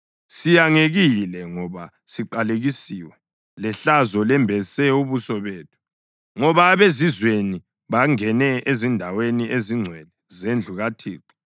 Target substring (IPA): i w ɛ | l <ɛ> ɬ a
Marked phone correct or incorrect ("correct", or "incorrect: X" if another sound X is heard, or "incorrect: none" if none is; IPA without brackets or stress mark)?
correct